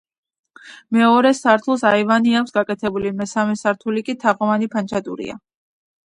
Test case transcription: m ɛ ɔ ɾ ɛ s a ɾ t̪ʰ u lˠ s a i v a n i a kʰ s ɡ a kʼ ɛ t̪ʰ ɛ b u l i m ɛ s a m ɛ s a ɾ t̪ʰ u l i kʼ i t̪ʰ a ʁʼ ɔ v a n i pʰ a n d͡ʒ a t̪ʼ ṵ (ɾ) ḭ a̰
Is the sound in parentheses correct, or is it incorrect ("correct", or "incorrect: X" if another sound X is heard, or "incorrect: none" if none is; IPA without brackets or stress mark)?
correct